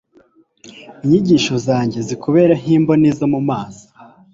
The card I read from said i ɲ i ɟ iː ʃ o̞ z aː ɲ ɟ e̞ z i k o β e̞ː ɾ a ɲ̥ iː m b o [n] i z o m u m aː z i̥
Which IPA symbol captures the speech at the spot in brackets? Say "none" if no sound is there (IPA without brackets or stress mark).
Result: n